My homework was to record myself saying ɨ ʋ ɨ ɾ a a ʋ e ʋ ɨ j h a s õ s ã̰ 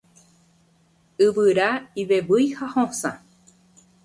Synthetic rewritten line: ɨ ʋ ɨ ɾ a i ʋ e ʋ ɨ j h a h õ s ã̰